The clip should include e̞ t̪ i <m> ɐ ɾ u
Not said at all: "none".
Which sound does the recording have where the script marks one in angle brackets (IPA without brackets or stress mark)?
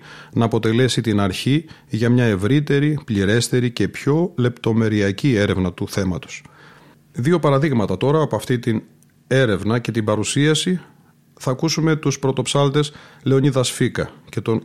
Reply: b